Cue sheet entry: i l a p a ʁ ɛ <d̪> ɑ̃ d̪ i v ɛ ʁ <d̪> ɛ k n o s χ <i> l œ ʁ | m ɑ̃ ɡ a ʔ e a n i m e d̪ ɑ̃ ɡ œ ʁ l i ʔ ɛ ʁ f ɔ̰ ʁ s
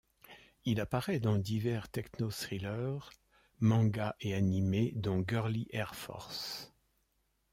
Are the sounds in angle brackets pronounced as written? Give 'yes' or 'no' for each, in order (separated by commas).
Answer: yes, no, yes